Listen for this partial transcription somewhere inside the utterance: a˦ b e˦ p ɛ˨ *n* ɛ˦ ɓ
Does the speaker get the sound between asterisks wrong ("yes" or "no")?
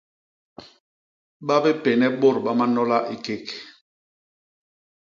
no